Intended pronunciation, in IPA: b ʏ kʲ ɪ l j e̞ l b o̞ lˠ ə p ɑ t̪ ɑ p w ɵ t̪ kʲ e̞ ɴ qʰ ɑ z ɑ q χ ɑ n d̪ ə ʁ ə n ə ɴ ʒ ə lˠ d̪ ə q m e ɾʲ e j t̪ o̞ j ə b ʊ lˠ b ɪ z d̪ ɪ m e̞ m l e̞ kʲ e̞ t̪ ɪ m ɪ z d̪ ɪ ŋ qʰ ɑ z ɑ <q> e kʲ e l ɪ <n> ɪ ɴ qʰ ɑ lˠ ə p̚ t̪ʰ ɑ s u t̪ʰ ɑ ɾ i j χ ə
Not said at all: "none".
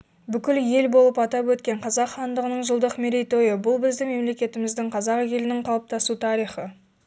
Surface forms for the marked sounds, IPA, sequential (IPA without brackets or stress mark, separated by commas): q, n